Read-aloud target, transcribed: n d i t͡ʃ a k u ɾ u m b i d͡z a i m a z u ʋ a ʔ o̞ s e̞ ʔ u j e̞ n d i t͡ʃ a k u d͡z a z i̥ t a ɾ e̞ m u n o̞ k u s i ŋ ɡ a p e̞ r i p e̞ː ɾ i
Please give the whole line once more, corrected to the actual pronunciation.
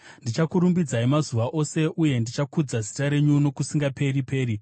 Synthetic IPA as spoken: n d i t͡ʃ a k u ɾ u m b i d͡z a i m a z u ʋ a ʔ o̞ s e̞ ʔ u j e̞ n d i t͡ʃ a k u d͡z a z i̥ t a ɾ e̞ ɲ u n o̞ k u s i ŋ ɡ a p e̞ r i p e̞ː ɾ i